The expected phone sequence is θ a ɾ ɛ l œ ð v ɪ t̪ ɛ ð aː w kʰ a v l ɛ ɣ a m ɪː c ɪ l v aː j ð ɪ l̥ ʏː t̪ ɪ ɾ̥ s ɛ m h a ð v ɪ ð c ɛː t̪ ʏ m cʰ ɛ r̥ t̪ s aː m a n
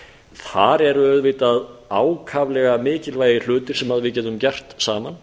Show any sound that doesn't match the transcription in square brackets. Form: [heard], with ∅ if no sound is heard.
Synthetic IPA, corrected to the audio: θ a ɾ ɛ [ɾ] œ ð v ɪ t̪ [a] ð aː w kʰ a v l ɛ ɣ a m ɪː c ɪ l v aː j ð ɪ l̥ ʏː t̪ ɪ ɾ̥ s ɛ m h a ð v ɪ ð c ɛː t̪ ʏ m [c] ɛ r̥ t̪ s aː m a n